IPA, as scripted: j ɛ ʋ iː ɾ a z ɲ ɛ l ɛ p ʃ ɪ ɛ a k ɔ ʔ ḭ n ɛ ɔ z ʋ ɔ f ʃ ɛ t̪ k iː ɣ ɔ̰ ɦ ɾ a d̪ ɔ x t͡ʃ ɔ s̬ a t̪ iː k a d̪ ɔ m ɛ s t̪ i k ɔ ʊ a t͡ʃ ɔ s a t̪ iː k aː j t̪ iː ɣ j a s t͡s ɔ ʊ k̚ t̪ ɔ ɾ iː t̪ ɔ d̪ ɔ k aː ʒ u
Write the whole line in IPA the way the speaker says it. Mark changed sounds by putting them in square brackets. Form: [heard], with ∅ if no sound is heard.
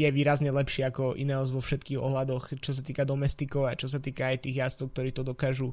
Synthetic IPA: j ɛ ʋ iː ɾ a z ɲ ɛ l ɛ p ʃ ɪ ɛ a k ɔ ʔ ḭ n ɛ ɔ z ʋ ɔ f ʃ ɛ t̪ k iː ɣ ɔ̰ ɦ [l] a d̪ ɔ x t͡ʃ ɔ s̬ a t̪ iː k a d̪ ɔ m ɛ s t̪ i k ɔ ʊ a t͡ʃ ɔ s a t̪ iː k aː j t̪ iː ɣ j a s t͡s ɔ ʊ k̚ t̪ ɔ ɾ iː t̪ ɔ d̪ ɔ k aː ʒ u